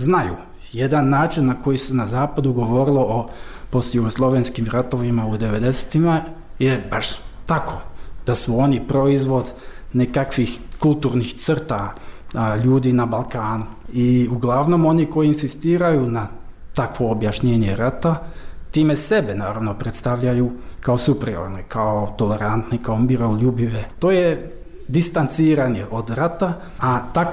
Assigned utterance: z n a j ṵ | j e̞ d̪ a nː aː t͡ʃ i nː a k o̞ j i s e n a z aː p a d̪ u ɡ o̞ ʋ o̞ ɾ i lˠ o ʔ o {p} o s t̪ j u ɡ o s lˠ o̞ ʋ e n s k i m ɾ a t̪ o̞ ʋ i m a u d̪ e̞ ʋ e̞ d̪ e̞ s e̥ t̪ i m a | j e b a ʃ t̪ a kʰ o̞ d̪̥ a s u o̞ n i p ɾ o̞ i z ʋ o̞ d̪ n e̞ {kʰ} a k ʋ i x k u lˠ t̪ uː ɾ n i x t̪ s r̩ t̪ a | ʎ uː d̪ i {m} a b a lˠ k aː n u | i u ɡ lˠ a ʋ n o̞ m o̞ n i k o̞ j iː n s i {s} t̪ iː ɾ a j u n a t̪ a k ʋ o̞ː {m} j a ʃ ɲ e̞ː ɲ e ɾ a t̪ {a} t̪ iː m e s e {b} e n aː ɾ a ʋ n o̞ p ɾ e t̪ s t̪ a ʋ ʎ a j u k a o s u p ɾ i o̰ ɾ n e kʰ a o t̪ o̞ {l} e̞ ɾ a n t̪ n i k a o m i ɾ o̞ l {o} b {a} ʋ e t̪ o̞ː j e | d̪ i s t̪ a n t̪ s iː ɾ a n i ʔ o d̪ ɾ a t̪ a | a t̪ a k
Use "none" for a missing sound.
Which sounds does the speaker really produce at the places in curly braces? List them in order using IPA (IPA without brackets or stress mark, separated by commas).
p, k, n, s, b, a, b, l, u, i